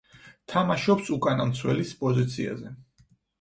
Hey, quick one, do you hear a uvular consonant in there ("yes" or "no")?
no